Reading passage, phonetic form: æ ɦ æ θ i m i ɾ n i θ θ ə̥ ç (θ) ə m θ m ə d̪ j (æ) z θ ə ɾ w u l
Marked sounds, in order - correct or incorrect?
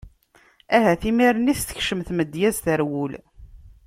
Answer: incorrect: ʃ, correct

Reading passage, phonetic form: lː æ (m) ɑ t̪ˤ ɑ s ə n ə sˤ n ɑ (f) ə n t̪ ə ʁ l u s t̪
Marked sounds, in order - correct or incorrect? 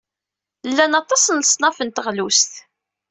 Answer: incorrect: n, correct

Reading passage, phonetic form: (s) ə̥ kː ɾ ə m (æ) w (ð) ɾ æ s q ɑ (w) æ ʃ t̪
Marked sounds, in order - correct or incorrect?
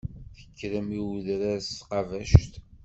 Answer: incorrect: θ, incorrect: i, correct, incorrect: v

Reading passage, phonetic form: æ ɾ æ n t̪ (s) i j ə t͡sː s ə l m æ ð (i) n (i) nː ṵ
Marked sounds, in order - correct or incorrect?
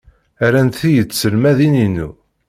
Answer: incorrect: θ, correct, correct

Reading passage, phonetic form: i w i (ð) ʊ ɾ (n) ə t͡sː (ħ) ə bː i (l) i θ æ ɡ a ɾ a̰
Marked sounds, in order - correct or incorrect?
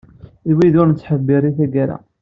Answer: correct, correct, correct, incorrect: ɾ

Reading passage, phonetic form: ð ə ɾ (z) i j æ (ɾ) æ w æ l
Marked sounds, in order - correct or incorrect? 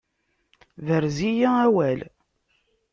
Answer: correct, incorrect: none

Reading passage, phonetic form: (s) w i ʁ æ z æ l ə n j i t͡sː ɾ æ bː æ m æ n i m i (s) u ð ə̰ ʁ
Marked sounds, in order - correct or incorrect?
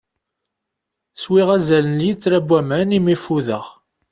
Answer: correct, incorrect: f

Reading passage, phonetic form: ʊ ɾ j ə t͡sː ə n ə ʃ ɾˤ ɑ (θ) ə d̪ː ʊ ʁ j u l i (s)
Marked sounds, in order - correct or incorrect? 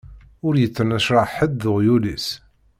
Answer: incorrect: ħ, correct

